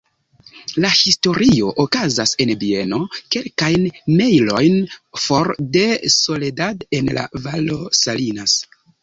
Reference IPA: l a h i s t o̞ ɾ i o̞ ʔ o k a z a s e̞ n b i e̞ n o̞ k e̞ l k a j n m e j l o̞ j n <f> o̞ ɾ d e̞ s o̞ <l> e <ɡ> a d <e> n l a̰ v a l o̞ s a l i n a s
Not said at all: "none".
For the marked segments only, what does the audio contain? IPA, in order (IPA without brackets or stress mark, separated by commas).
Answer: f, l, d, e